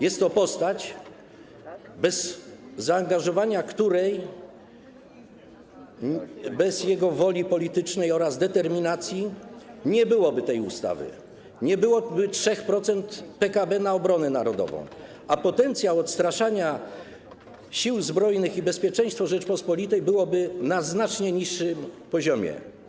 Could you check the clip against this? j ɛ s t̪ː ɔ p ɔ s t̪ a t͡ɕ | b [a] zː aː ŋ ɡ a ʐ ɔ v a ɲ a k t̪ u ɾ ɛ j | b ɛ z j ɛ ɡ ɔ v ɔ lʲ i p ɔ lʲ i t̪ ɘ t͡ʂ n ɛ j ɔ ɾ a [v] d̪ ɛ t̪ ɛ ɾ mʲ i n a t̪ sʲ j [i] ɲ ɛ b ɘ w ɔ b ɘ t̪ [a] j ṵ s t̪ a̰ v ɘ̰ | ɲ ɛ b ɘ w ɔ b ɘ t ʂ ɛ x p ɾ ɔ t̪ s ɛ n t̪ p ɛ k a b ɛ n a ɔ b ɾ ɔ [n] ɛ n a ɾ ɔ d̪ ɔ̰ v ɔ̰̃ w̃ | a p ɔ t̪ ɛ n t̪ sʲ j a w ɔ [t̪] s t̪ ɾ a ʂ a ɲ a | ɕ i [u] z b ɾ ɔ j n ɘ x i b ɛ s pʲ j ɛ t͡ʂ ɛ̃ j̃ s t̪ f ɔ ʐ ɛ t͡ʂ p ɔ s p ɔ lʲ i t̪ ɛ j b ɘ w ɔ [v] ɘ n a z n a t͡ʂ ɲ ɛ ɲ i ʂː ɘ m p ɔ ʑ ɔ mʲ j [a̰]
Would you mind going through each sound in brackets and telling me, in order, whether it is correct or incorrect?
incorrect: ɛ, incorrect: z, correct, incorrect: ɛ, correct, correct, incorrect: w, incorrect: b, incorrect: ɛ̰

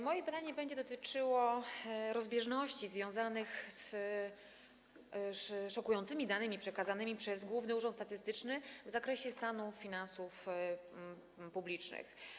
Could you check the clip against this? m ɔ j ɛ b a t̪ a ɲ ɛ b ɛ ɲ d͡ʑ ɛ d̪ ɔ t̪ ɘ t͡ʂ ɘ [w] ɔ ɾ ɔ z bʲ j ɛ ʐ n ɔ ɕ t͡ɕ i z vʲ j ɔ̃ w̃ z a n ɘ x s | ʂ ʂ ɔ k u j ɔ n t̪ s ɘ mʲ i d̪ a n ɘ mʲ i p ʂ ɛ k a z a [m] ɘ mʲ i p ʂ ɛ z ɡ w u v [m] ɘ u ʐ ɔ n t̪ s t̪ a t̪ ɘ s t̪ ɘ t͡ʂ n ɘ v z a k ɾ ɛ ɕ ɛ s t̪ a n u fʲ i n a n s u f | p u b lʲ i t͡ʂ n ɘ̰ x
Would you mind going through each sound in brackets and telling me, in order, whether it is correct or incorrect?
correct, incorrect: n, incorrect: n

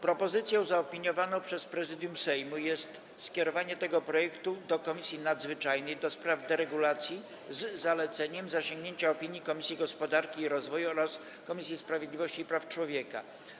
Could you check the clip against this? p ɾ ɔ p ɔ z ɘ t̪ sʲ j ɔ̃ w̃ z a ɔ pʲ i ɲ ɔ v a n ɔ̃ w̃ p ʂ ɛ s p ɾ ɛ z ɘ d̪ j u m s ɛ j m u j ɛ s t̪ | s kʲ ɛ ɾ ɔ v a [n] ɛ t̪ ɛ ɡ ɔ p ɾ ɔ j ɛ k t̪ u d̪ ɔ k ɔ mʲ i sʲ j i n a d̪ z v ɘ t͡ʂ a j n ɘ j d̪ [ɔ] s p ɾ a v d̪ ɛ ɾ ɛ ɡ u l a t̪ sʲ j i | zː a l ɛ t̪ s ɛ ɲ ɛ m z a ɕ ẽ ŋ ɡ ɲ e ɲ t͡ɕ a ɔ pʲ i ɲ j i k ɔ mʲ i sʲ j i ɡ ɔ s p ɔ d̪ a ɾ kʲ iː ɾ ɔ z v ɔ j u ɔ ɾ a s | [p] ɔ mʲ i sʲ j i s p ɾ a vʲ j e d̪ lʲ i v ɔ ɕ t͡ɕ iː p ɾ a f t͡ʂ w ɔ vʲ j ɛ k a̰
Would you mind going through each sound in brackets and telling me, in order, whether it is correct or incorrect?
incorrect: ɲ, correct, incorrect: k

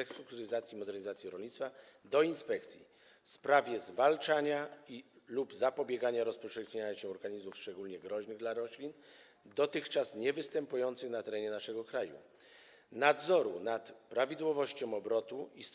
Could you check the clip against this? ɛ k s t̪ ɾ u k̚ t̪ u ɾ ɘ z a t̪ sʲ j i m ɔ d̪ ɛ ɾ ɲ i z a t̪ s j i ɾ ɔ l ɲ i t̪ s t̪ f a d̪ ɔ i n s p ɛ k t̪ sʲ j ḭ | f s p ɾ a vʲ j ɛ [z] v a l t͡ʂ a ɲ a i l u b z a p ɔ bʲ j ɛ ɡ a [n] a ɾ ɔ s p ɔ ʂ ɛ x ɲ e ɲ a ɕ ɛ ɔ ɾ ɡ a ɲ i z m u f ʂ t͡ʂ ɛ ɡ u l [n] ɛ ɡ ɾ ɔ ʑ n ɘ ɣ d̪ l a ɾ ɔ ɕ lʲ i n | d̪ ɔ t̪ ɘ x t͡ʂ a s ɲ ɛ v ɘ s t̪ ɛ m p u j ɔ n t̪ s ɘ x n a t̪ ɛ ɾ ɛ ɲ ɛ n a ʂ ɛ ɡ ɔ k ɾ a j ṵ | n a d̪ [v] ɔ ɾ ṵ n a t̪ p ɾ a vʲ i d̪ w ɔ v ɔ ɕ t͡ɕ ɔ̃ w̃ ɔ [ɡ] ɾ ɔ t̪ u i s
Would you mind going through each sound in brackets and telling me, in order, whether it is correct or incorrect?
correct, incorrect: ɲ, incorrect: ɲ, incorrect: z, incorrect: b

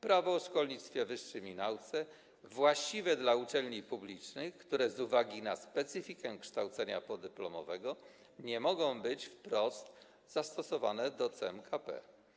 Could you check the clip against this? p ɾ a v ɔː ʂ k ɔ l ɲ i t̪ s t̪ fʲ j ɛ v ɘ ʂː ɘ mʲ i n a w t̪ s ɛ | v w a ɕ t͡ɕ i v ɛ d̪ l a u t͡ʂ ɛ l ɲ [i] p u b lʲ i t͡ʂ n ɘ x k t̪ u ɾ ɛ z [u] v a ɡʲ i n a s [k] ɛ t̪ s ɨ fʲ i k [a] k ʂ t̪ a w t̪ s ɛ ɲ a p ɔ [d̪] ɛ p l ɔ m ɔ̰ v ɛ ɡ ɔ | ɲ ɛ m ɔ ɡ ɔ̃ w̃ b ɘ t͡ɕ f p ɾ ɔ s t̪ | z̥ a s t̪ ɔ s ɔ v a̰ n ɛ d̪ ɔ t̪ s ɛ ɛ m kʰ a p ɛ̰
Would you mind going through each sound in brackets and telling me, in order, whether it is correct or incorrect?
correct, correct, incorrect: p, incorrect: ɛ, correct

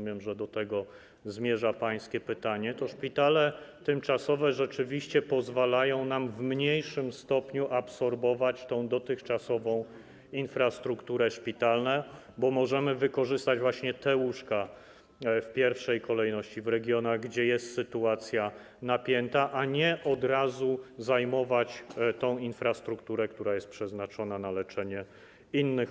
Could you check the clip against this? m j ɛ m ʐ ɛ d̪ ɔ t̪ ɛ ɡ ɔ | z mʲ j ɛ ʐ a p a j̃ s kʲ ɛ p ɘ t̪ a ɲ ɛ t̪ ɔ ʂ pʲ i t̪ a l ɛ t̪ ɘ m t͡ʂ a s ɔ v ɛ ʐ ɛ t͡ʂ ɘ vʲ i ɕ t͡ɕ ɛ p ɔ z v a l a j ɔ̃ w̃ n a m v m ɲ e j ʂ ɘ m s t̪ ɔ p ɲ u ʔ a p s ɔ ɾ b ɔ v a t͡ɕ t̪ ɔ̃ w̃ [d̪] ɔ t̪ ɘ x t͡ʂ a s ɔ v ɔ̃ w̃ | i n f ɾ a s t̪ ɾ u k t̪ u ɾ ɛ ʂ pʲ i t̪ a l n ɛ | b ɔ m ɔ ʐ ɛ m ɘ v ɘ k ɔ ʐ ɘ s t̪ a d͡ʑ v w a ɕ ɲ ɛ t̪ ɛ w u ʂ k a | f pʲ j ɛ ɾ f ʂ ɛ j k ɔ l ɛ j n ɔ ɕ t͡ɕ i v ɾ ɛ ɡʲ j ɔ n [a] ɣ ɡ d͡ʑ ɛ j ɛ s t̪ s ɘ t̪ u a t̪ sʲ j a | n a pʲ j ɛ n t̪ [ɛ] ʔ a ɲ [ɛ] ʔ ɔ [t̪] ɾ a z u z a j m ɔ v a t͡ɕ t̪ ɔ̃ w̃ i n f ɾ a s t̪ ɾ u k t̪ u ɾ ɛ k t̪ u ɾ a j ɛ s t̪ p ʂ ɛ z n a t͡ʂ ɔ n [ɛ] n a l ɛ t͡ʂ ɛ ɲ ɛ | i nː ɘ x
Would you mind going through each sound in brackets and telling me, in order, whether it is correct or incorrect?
correct, correct, incorrect: a, correct, incorrect: d̪, incorrect: a

